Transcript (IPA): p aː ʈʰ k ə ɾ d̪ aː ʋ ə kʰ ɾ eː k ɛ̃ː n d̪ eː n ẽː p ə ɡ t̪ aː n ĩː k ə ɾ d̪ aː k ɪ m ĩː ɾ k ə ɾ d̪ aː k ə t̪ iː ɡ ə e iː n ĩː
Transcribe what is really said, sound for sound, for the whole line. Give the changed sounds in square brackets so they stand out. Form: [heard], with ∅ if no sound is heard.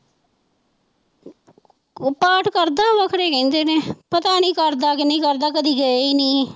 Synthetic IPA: p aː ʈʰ k ə ɾ d̪ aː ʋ ə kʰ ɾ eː k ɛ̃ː n d̪ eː n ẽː p ə [∅] t̪ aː n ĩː k ə ɾ d̪ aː k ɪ [n] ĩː [∅] k ə ɾ d̪ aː k ə [d̪] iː ɡ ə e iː n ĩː